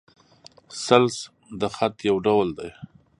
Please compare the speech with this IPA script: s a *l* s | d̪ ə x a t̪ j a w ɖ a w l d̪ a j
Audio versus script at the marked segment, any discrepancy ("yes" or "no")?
no